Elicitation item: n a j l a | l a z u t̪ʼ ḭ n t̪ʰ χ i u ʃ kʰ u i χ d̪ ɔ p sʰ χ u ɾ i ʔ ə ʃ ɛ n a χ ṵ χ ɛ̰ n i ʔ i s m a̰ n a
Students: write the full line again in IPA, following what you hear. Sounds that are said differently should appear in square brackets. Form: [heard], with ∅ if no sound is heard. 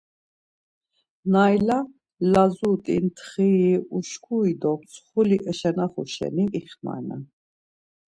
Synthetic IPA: n a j l a | l a z u t̪ʼ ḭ n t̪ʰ χ i u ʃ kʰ u i [∅] d̪ ɔ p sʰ χ u [l] i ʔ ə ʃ ɛ n a χ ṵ [ʃ] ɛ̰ n i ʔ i [χ] m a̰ n a